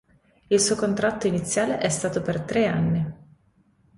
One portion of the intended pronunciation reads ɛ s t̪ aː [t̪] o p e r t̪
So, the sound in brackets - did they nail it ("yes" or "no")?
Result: yes